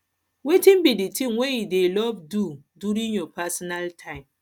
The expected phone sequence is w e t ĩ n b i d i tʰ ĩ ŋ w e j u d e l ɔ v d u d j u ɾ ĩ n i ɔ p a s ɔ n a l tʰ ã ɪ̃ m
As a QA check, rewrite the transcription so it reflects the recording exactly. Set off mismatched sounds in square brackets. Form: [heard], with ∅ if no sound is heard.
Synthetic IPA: w e t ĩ n b i d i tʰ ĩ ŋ w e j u d e l ɔ v d u d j u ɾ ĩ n [j] ɔ p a s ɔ n a l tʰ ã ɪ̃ m